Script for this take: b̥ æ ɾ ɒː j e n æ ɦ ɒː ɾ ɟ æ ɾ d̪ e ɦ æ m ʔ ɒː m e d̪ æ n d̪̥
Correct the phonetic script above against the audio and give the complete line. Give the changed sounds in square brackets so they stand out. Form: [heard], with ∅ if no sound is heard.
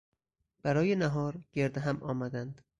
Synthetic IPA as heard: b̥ æ ɾ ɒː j e n æ ɦ ɒː ɾ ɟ [e] ɾ d̪ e ɦ æ m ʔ ɒː m [æ] d̪ æ n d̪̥